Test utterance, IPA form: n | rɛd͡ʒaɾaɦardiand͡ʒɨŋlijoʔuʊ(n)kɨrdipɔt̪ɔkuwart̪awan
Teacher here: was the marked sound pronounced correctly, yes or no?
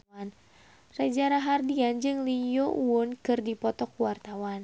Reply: yes